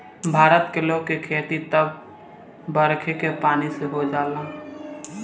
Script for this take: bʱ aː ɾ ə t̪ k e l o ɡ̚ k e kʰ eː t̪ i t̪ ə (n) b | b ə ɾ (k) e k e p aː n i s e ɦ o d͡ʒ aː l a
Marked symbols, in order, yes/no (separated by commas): no, no